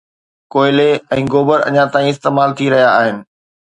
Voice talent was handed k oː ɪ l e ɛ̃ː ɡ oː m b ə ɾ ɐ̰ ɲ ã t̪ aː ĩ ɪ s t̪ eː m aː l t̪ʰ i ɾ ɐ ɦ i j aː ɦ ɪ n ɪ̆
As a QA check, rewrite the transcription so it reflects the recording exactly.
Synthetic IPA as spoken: k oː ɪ l e ɛ̃ː ɡ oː b ə ɾ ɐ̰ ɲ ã t̪ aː ĩ ɪ s t̪ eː m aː l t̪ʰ i ɾ ɐ ɦ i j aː ɦ ɪ n ɪ̆